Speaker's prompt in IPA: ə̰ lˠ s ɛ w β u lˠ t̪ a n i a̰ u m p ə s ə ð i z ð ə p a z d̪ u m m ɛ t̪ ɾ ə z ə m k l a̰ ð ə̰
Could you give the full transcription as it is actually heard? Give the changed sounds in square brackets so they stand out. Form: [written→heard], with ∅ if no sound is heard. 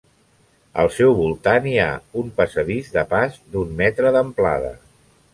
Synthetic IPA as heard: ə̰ lˠ s ɛ w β u lˠ t̪ a n i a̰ u m p ə s ə ð i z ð ə p a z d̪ u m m ɛ t̪ ɾ ə [z→ð] ə m [k→p] l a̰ ð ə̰

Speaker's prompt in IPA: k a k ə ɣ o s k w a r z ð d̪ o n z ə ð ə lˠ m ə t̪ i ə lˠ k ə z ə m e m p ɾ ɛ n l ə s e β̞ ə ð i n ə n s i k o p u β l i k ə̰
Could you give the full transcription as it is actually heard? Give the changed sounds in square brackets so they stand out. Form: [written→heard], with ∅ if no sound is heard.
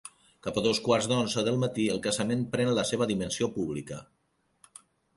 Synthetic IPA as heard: k a [k→p] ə [ɣ→ð] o s k w a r z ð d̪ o n z ə ð ə lˠ m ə t̪ i ə lˠ k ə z ə m e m p ɾ ɛ n l ə s e β̞ ə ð i [n→m] ə n s i [k→∅] o p u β l i k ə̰

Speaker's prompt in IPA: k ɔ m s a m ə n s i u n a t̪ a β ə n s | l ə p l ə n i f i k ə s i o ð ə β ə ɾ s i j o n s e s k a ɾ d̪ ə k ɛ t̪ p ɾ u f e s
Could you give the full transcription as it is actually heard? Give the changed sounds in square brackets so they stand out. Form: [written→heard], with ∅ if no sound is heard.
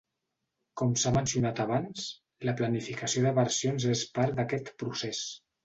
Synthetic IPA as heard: k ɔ m s a m ə n s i u n a t̪ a β [ə→a] n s | l ə p l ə n i f i k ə s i o ð ə β ə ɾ s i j o n [s→z] e s [k→p] a ɾ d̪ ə k ɛ t̪ p ɾ u [f→s] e s

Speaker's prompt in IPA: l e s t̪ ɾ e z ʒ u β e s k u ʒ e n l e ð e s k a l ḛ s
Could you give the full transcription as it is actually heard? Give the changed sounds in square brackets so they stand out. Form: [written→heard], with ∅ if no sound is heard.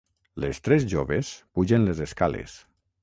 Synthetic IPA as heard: l e s t̪ ɾ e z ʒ [u→o] β e s [k→p] u ʒ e n l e [ð→z] e s k a l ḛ s

